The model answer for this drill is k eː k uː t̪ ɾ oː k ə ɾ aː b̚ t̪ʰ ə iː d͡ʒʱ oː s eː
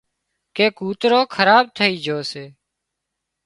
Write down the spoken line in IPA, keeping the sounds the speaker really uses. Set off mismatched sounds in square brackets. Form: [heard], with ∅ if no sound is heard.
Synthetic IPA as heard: k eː k uː t̪ ɾ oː [kʰ] ə ɾ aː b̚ t̪ʰ ə iː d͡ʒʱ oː s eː